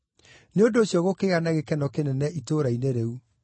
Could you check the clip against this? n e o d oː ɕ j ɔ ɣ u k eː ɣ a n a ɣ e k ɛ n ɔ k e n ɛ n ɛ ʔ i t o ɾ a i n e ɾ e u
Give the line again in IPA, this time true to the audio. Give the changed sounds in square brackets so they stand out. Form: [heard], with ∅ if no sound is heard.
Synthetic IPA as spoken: n e o d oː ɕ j ɔ ɣ [o] k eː ɣ a n a ɣ e k ɛ n ɔ k e n ɛ n ɛ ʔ i t o ɾ a i n e ɾ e u